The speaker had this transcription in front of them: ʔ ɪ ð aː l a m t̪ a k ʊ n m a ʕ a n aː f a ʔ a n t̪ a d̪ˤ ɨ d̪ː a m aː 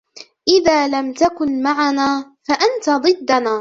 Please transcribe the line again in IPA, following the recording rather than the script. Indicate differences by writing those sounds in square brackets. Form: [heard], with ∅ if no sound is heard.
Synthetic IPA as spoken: ʔ ɪ ð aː l a m t̪ a k ʊ n m a ʕ a n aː f a ʔ a n t̪ a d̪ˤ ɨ d̪ː a [n] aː